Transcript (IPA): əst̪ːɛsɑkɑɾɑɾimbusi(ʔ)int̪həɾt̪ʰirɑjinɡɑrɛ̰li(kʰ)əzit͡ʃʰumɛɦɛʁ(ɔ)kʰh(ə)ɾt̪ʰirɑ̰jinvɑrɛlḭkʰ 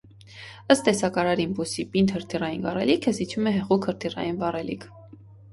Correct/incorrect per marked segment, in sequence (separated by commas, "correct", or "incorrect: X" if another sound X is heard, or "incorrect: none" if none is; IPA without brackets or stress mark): incorrect: p, correct, incorrect: u, correct